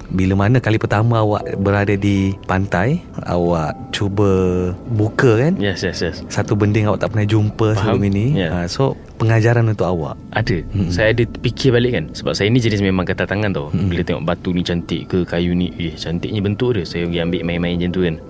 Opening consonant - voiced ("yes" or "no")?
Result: yes